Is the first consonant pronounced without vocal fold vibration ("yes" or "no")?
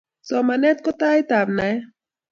yes